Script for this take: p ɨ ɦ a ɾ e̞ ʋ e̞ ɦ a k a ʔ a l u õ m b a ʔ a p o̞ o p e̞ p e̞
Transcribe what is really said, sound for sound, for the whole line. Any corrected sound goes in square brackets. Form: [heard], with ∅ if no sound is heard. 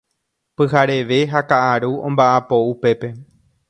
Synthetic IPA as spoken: p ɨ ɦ a ɾ e̞ ʋ e̞ ɦ a k a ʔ a [ɾ] u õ m b a ʔ a p o̞ [u] p e̞ p e̞